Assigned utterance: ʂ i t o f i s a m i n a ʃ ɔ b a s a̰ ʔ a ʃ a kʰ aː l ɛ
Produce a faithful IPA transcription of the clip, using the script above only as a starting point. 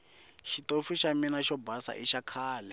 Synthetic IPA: ʃ i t o f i ʃ a m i n a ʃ ɔ b a s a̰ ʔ i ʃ a kʰ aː l ɛ